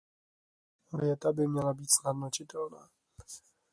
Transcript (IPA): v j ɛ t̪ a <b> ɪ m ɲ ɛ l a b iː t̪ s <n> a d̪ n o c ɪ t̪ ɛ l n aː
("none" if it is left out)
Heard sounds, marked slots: b, n

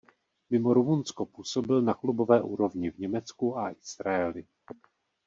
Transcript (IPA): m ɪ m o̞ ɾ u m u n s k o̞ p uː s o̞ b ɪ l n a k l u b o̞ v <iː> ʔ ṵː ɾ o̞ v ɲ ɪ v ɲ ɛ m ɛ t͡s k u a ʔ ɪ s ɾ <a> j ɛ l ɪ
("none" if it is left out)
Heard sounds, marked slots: ɛː, a

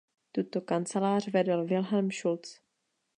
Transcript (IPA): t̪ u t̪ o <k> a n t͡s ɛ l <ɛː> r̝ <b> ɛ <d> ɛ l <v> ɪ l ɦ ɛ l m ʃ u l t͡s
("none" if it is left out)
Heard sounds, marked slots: k, aː, v, d, v

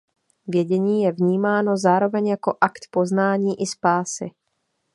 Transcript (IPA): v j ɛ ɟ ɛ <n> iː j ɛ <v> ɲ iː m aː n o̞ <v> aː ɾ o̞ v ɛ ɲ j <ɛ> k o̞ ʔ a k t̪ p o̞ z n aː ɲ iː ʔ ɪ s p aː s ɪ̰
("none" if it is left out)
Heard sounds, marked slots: ɲ, v, z, a

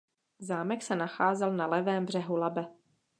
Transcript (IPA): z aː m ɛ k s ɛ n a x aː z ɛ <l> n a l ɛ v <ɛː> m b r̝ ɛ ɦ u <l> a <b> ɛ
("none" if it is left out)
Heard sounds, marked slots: l, ɛː, l, b

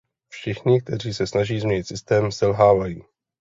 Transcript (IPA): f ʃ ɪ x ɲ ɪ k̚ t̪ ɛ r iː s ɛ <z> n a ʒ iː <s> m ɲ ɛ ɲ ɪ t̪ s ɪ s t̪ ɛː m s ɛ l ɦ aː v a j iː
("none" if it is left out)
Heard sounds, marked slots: s, z

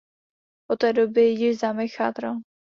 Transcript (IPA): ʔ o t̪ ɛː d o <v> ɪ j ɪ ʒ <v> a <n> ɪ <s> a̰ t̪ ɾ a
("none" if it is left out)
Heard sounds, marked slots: b, z, m, x

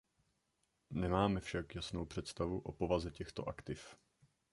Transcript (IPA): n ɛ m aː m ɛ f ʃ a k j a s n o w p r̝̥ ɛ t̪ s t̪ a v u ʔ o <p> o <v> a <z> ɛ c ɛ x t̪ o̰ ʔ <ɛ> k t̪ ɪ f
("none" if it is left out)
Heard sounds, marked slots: p, v, z, a

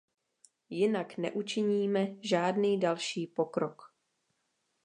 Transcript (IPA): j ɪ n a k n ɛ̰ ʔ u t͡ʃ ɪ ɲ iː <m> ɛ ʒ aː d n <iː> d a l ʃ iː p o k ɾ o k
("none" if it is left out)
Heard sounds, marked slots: m, iː

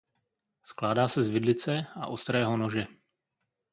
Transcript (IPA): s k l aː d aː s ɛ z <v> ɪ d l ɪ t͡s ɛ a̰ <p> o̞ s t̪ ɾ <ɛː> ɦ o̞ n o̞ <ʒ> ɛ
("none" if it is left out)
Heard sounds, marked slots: v, ʔ, ɛː, ʒ

